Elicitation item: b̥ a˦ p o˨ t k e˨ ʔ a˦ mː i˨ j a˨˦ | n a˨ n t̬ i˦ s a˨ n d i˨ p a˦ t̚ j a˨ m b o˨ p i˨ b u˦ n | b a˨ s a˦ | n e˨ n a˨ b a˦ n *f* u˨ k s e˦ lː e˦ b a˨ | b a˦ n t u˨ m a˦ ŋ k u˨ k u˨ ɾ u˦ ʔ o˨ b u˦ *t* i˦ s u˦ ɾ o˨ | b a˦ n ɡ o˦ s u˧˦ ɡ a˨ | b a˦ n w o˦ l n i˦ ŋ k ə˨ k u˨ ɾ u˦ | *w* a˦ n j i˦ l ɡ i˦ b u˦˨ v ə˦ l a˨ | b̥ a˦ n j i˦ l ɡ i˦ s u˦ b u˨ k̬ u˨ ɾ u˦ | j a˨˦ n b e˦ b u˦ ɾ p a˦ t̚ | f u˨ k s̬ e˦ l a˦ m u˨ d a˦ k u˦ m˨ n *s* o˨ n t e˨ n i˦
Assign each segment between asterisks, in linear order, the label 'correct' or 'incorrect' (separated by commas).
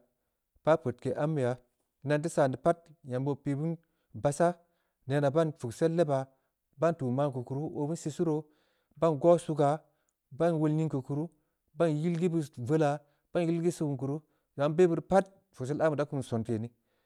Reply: correct, incorrect, incorrect, correct